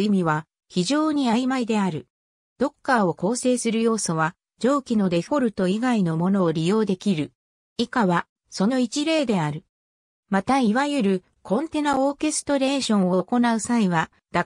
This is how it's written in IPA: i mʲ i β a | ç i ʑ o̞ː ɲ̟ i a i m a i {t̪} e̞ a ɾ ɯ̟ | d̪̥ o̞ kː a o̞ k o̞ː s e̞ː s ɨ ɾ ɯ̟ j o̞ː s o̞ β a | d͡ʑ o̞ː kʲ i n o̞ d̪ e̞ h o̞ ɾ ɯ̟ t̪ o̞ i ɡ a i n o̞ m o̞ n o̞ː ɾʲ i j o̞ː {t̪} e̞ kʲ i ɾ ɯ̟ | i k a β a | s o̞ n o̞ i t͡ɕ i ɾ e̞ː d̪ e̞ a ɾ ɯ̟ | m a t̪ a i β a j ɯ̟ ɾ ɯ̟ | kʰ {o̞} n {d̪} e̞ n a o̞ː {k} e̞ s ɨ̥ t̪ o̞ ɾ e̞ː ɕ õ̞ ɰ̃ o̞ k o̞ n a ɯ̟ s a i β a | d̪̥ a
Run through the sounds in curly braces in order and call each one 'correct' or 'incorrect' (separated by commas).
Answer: incorrect, incorrect, incorrect, incorrect, correct